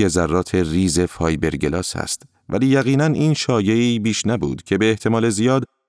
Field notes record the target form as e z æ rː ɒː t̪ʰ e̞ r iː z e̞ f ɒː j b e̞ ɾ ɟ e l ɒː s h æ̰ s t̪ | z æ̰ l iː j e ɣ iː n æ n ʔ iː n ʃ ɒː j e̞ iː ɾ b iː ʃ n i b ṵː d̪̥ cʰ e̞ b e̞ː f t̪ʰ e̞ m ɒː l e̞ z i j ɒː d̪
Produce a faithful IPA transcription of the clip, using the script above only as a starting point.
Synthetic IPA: e z æ rː ɒː t̪ʰ e̞ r iː z e̞ f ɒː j b e̞ ɾ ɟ e l ɒː s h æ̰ s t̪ | v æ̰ l iː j æ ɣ iː n æ n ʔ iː n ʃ ɒː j e̞ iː b iː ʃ n æ b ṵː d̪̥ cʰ e̞ b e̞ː h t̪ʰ e̞ m ɒː l e̞ z i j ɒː d̪